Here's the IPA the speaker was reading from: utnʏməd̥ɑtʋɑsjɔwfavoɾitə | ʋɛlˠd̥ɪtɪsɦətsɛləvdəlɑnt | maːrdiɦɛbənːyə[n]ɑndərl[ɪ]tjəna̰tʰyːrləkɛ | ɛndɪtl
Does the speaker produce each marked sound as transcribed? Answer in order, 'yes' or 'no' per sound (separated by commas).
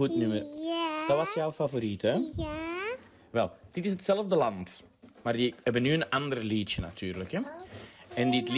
yes, no